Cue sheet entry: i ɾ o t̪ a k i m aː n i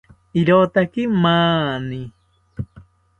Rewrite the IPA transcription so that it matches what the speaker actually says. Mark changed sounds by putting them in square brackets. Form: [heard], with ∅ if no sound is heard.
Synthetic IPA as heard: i ɾ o t̪ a k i m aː n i

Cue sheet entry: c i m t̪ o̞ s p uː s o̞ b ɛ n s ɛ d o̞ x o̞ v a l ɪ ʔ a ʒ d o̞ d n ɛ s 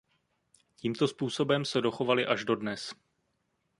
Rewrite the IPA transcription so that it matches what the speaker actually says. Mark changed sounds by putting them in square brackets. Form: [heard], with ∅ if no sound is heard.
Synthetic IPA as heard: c [iː] m t̪ o̞ s p uː s o̞ b ɛ [m] s ɛ d o̞ x o̞ v a l ɪ ʔ a ʒ d o̞ d n ɛ s

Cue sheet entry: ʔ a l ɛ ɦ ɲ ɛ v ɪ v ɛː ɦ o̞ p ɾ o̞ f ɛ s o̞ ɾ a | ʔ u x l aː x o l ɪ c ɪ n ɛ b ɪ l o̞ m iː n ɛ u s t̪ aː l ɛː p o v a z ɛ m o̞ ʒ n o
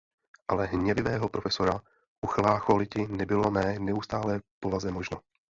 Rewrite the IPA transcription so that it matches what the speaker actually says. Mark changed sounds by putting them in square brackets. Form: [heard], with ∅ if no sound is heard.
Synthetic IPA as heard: ʔ a l ɛ ɦ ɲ ɛ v ɪ v ɛː ɦ o̞ p ɾ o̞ f ɛ s o̞ ɾ a | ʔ u x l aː x o l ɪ c ɪ n ɛ b ɪ l o̞ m [ɛː] n ɛ u s t̪ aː l ɛː p o v a z ɛ m o̞ ʒ n o

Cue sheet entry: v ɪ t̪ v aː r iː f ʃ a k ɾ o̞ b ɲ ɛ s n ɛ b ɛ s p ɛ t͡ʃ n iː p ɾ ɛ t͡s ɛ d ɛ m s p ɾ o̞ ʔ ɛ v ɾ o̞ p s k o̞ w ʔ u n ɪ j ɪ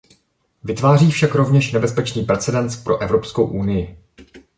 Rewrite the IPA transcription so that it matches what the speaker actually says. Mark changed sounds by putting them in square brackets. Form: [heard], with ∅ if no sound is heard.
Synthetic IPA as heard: v ɪ t̪ v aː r iː f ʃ a k ɾ o̞ [v] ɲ ɛ [ʃ] n ɛ b ɛ s p ɛ t͡ʃ n iː p ɾ ɛ t͡s ɛ d ɛ [n] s p ɾ o̞ ʔ ɛ v ɾ o̞ p s k o̞ w ʔ u n ɪ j ɪ

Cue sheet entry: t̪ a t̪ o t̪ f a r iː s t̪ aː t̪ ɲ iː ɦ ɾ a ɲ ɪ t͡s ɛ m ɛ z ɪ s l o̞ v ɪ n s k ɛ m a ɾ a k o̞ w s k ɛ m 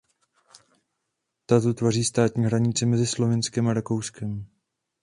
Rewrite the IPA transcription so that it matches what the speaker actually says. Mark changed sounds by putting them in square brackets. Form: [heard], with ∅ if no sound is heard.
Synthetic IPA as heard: t̪ a t̪ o t̪ [v] a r iː s t̪ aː t̪ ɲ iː ɦ ɾ a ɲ ɪ t͡s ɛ m ɛ z ɪ s l o̞ v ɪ n s k ɛ m a ɾ a k o̞ w s k ɛ m

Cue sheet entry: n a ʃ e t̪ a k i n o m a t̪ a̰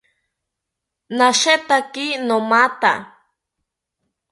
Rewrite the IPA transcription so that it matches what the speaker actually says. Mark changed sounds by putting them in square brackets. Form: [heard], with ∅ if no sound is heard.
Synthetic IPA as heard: n a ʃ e t̪ a k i n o m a t̪ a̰

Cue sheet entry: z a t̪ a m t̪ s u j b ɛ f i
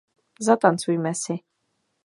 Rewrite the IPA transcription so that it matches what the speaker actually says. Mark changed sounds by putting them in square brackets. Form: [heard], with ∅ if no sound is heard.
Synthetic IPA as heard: z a t̪ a [n] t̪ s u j [m] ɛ [s] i

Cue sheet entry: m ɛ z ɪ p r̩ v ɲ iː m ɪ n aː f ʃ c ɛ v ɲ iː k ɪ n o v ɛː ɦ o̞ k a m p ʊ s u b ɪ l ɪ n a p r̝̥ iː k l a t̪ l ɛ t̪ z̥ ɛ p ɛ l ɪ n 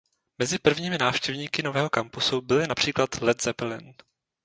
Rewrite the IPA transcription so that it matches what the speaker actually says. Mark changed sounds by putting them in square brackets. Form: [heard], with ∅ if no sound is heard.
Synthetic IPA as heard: m ɛ z ɪ p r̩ v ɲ iː m ɪ n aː f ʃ c ɛ v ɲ iː k ɪ n o v ɛː ɦ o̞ k a m p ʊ s u b ɪ l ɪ n a p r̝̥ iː k l a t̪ l ɛ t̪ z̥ ɛ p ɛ l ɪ n

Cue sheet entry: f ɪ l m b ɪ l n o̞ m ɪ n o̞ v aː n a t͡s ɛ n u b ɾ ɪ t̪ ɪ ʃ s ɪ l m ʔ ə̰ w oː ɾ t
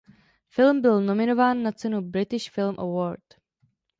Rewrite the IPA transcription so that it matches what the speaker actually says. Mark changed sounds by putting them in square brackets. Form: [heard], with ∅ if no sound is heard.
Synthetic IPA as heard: f ɪ l m b ɪ l n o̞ m ɪ n o̞ v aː [nː] a t͡s ɛ n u b ɾ ɪ t̪ ɪ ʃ [f] ɪ l m ʔ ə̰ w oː ɾ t

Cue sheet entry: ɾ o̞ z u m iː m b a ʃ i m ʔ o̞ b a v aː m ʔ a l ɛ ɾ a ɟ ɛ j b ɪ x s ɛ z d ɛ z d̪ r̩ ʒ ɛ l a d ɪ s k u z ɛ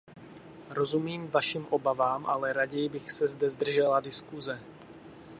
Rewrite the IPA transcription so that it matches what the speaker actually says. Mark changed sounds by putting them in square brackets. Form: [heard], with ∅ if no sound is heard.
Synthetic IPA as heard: ɾ o̞ z u m iː m [v] a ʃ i m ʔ o̞ b a v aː m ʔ a l ɛ ɾ a ɟ ɛ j b ɪ x s ɛ z d ɛ z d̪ r̩ ʒ ɛ l a d ɪ s k u z ɛ

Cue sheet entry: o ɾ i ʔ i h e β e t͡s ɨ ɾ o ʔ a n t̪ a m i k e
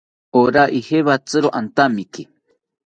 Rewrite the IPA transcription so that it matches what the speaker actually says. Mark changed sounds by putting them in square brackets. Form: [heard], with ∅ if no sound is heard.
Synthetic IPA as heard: o ɾ [a] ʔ i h e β [a] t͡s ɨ ɾ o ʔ a n t̪ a m i k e

